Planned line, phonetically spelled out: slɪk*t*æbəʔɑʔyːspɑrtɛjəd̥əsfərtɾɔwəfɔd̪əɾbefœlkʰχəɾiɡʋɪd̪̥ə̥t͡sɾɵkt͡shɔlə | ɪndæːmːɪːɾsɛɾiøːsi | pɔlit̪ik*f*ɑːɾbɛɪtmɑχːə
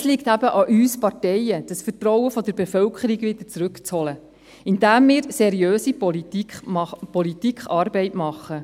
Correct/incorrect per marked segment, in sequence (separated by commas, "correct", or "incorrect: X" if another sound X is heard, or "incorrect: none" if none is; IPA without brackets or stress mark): correct, incorrect: χ